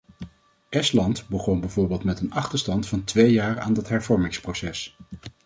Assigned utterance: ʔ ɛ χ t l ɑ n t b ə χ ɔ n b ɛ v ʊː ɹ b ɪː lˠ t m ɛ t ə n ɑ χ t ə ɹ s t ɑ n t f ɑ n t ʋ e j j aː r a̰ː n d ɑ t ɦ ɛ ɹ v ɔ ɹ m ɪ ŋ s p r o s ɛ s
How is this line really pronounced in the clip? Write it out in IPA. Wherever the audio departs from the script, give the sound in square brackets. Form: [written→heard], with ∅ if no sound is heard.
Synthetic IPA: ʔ ɛ [χ→s] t l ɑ n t b ə χ ɔ n b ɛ v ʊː ɹ b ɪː lˠ t m ɛ t ə n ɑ χ t ə ɹ s t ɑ n t f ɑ n t ʋ e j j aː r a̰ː n d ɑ t ɦ ɛ ɹ v ɔ ɹ m ɪ ŋ s p r o s ɛ s